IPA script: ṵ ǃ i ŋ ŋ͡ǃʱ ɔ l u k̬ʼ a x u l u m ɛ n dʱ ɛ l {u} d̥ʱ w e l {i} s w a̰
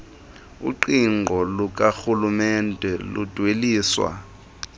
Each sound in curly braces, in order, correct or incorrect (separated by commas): correct, incorrect